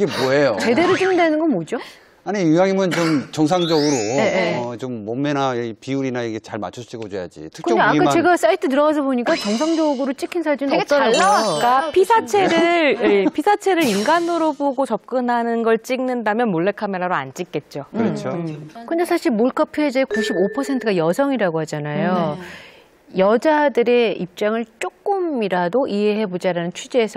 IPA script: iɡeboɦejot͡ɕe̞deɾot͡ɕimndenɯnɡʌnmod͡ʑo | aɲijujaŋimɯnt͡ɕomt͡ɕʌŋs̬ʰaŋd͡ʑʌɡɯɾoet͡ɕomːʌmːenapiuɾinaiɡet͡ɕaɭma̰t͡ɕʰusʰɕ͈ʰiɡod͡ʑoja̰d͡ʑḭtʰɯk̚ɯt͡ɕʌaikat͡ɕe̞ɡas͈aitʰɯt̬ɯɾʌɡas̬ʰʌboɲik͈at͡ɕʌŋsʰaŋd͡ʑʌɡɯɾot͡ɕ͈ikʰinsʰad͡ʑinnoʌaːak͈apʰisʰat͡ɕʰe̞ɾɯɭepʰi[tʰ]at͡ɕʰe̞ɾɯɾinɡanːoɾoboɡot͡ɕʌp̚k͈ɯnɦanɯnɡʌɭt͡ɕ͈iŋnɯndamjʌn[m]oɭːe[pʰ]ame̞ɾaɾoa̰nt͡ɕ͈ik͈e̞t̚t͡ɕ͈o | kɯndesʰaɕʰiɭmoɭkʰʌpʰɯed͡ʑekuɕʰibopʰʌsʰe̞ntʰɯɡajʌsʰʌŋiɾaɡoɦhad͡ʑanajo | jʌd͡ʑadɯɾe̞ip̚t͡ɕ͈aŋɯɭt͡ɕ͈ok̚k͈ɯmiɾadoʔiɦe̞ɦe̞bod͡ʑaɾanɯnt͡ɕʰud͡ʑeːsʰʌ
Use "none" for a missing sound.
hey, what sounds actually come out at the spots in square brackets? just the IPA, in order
sʰ, m, kʰ

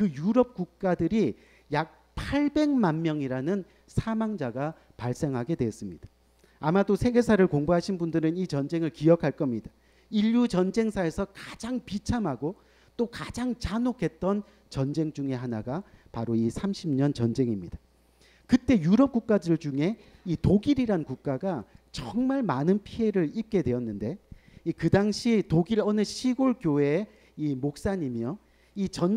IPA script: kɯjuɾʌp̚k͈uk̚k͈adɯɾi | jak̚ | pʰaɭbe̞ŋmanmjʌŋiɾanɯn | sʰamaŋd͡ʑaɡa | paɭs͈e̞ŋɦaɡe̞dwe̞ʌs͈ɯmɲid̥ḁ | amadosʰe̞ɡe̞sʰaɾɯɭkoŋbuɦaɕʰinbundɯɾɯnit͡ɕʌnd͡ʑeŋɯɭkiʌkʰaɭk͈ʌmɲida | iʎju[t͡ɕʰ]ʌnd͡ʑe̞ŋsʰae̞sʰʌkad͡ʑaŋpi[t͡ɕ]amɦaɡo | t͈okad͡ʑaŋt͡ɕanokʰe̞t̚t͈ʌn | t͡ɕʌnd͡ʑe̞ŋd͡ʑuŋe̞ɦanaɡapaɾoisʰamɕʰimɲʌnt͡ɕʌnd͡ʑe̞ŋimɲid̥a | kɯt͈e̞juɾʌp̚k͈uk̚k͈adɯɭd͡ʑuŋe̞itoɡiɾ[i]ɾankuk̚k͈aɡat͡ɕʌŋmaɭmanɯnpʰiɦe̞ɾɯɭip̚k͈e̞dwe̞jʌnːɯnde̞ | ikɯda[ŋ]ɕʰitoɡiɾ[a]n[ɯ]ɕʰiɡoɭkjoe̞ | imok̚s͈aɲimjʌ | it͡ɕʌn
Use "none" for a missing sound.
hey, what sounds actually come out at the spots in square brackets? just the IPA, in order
t͡ɕ, t͡ɕʰ, i, ŋ, ʌ, ɯ

